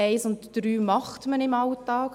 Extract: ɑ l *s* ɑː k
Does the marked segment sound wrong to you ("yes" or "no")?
yes